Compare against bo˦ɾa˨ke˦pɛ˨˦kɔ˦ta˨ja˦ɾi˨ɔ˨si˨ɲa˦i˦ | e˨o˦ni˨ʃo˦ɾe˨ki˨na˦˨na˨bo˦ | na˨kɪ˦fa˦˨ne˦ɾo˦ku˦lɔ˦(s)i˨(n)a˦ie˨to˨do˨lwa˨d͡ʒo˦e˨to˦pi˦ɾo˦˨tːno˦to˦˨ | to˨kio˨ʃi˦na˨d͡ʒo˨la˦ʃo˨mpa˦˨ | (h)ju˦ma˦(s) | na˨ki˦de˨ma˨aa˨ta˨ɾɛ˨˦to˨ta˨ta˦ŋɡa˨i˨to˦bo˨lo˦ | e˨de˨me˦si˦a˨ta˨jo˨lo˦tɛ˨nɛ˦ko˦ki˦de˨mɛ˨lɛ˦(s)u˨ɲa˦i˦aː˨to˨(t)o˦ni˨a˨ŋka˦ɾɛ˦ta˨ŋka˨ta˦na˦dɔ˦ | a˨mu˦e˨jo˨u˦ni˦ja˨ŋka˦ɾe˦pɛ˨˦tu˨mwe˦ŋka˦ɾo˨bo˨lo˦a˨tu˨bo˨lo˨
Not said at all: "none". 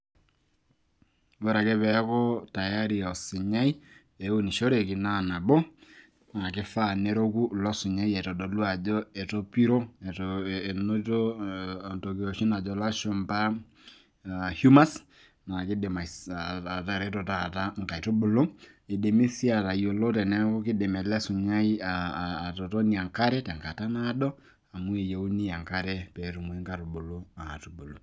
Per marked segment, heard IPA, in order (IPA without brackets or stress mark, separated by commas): s, ɲ, h, s, s, t